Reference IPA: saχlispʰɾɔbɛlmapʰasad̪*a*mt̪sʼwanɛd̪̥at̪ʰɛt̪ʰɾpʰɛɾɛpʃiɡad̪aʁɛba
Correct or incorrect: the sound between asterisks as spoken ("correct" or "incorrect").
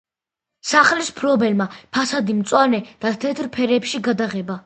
incorrect